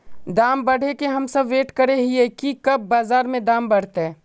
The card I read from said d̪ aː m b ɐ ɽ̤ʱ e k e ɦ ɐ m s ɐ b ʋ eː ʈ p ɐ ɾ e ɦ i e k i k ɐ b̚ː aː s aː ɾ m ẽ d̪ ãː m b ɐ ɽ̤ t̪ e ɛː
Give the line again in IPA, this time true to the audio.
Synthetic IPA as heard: d̪ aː m b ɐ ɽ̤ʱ e k e ɦ ɐ m s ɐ b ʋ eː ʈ k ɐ ɾ e ɦ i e k i k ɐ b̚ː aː z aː ɾ m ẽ d̪ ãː m b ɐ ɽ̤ t̪ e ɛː